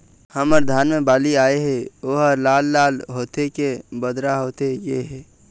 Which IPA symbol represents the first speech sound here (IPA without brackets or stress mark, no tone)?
h